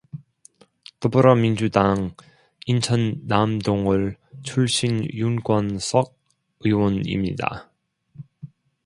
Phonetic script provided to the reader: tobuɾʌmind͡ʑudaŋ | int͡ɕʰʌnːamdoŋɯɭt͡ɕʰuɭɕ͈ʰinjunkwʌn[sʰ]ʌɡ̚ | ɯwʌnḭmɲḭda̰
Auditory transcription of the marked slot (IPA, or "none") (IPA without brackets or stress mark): sʰ